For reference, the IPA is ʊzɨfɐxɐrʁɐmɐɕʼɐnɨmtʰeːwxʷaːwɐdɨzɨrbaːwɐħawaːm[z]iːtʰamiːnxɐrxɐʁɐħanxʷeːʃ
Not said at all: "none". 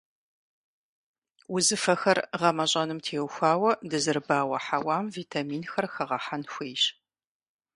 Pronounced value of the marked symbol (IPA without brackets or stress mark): v